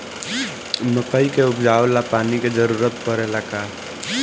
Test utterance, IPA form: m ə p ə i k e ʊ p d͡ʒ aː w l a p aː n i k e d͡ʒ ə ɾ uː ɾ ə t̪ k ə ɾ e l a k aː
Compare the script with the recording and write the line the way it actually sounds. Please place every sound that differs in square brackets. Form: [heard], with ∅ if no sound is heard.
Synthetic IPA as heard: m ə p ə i k e ʊ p d͡ʒ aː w l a p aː n i k e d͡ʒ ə ɾ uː ɾ ə t̪ [p] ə ɾ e l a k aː